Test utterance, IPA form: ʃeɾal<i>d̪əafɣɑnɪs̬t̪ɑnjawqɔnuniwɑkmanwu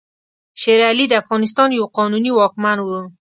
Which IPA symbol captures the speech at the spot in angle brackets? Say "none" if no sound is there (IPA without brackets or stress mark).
i